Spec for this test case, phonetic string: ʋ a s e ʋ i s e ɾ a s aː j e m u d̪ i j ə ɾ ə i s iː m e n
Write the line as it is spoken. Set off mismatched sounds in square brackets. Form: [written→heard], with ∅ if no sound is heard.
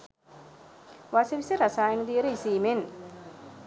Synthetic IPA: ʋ a s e ʋ i s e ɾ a s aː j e [m→n] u d̪ i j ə ɾ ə i s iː m e n

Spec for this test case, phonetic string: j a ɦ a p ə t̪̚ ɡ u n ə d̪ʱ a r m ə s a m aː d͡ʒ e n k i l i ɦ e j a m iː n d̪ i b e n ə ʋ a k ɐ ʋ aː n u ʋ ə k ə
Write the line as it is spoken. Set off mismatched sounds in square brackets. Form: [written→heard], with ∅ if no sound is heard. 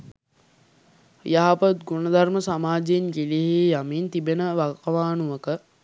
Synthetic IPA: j a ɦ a p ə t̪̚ ɡ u n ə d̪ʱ a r m ə s a m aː d͡ʒ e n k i l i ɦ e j a m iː n [d̪→t̪] i b e n ə ʋ a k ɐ ʋ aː n u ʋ ə k ə

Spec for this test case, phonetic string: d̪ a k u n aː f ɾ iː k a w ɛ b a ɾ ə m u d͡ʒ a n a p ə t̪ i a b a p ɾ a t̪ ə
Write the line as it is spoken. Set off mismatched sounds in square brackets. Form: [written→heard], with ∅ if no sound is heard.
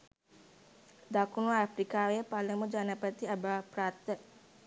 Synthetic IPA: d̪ a k u n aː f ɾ [iː→i] k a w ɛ [b→p] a [ɾ→l] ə m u d͡ʒ a n a p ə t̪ i a b a p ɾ a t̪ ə

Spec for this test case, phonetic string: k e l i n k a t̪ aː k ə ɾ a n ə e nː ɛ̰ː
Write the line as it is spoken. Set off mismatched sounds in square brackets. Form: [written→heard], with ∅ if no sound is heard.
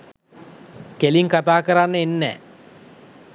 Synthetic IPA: k e l i [n→ŋ] k a t̪ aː k ə ɾ a [n→nː] ə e nː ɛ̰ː

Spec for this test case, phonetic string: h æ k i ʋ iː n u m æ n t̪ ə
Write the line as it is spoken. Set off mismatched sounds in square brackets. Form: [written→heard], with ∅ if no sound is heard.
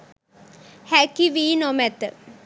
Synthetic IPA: h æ k i ʋ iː n [u→o] m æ [n→∅] t̪ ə

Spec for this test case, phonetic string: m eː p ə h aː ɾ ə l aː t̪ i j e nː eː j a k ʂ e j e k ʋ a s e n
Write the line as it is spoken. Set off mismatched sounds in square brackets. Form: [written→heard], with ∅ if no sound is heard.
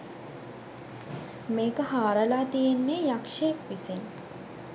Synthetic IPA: m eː [p→k] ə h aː ɾ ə l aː t̪ i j e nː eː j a k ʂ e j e k ʋ [a→i] s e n

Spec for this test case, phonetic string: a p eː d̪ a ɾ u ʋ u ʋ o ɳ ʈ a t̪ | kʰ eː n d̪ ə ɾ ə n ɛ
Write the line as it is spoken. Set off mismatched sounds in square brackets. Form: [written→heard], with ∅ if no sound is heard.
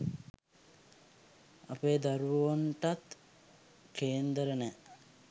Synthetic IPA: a p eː d̪ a ɾ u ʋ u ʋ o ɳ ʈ a t̪ | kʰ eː n d̪ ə ɾ ə n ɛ

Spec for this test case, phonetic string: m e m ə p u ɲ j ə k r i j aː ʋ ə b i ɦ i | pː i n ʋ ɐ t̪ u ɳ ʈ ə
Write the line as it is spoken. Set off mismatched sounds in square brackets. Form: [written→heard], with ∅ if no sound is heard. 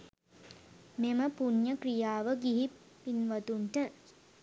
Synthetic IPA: m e m ə p u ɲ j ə k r i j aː ʋ ə [b→ɡ] i ɦ i | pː i n ʋ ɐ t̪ u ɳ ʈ ə

